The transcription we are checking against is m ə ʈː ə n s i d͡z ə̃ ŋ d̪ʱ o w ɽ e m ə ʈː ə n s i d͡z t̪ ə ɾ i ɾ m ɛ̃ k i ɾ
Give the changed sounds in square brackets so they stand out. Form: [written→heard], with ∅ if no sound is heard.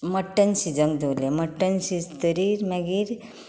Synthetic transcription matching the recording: m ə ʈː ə n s i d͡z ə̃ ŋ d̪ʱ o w [ɽ→l] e m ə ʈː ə n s i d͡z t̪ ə ɾ i ɾ m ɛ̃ [k→ɡ] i ɾ